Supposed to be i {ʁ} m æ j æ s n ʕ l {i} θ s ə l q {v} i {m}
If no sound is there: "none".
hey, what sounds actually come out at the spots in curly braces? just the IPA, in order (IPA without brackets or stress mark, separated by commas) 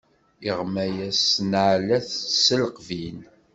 ʁ, æ, v, n